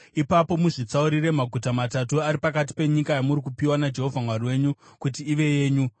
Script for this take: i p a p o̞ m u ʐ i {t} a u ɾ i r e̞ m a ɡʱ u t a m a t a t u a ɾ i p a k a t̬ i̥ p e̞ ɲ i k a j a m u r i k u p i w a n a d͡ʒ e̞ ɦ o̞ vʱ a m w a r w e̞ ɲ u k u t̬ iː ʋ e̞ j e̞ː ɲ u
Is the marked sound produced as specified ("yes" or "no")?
no